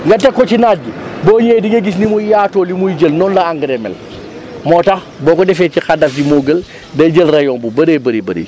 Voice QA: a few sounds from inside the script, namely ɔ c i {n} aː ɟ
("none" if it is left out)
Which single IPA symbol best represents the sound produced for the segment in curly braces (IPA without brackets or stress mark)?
n